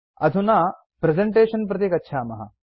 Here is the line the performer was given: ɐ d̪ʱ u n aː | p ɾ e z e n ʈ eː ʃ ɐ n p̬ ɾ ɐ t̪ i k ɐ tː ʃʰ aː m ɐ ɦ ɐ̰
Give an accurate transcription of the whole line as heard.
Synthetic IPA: ɐ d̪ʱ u n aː | p ɾ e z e ɳ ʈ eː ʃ ɐ n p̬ ɾ ɐ t̪ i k ɐ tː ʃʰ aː m ɐ ɦ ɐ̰